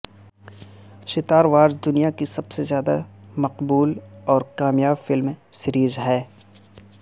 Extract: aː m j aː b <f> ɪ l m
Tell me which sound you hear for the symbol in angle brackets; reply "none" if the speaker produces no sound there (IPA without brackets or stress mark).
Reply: f